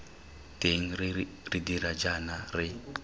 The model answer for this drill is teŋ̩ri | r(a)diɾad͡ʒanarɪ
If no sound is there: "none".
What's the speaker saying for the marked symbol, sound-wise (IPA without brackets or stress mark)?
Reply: i